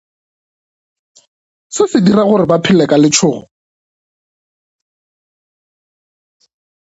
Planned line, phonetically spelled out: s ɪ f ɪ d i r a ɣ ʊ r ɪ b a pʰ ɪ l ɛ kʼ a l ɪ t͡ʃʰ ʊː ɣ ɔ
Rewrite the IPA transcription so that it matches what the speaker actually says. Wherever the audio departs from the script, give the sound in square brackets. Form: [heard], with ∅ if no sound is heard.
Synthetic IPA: s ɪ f ɪ d i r a ɣ ʊ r ɪ b a pʰ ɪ l ɛ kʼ a l ɪ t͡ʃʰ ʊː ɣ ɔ